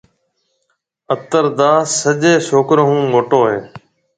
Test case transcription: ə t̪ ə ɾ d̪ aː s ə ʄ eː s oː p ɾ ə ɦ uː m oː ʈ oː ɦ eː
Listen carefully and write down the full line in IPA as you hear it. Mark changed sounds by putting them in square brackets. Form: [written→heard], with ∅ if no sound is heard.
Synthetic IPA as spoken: ə t̪ ə ɾ d̪ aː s ə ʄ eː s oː [p→k] ɾ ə ɦ [uː→ũː] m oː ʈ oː ɦ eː